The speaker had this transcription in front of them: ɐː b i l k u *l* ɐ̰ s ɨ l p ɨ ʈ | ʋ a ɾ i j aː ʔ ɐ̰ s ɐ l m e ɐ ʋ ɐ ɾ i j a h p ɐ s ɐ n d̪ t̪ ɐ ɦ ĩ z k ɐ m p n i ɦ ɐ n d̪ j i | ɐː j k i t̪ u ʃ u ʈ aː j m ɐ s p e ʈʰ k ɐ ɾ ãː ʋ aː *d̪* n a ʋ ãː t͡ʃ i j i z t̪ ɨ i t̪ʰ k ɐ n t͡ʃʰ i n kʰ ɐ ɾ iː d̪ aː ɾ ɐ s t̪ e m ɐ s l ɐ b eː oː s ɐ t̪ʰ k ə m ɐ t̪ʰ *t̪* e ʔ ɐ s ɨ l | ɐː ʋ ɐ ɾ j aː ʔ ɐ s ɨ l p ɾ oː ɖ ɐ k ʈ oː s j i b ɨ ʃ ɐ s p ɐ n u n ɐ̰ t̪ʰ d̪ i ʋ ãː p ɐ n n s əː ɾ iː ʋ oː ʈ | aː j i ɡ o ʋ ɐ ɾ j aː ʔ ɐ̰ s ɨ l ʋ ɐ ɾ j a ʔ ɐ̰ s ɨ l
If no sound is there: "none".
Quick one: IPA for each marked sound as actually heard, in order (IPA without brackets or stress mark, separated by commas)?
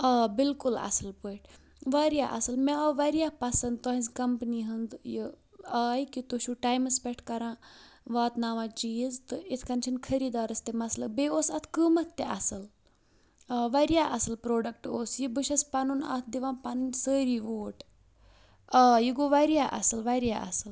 l, t̪, t̪